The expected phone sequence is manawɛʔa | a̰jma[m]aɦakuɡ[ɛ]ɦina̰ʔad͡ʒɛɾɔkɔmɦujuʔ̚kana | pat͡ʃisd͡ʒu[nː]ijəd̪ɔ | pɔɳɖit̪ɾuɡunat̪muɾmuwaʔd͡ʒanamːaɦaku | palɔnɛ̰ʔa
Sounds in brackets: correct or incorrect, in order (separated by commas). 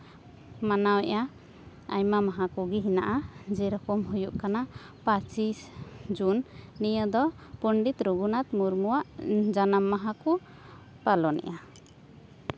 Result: correct, incorrect, correct